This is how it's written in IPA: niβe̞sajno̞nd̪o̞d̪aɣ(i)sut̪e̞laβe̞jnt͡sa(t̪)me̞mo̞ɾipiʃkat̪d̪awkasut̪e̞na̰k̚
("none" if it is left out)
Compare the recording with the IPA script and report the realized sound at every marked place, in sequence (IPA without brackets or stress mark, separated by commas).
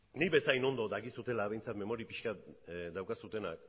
i, t̪